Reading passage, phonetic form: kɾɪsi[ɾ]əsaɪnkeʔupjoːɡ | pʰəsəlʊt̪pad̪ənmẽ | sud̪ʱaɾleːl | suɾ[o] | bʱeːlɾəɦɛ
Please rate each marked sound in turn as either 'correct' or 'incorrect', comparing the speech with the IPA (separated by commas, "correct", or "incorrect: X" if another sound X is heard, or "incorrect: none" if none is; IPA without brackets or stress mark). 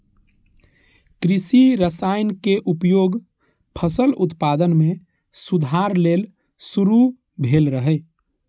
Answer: correct, incorrect: u